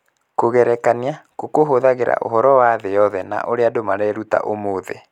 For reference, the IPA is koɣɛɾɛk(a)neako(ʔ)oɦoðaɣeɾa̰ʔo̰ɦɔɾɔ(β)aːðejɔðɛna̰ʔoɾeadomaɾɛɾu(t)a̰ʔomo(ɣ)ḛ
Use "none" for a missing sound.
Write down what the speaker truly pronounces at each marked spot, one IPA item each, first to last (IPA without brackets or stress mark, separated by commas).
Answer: a, k, w, t, ð